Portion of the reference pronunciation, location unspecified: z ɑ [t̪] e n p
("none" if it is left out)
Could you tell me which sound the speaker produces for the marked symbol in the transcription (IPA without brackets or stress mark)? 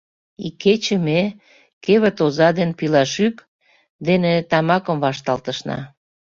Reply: d̪